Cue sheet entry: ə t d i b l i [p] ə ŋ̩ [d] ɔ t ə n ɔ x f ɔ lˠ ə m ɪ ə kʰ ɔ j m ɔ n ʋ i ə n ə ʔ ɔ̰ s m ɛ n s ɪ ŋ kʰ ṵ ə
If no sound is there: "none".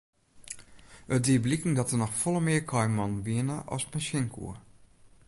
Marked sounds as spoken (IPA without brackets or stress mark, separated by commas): k, d